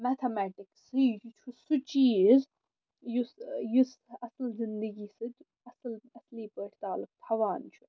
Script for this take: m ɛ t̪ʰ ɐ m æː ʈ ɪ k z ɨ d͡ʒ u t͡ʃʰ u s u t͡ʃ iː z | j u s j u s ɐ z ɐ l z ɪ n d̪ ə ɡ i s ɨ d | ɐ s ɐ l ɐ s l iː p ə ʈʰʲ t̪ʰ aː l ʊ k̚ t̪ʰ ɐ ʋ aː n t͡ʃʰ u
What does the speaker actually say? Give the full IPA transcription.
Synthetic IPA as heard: m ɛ t̪ʰ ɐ m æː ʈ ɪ k s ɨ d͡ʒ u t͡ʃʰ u s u t͡ʃ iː z | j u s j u s ɐ s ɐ l z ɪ n d̪ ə ɡ i s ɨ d | ɐ s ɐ l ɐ s l iː p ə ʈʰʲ t̪ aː l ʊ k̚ t̪ʰ ɐ ʋ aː n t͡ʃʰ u